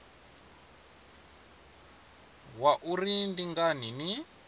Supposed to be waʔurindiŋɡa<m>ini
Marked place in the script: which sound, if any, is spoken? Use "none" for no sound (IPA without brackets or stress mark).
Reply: n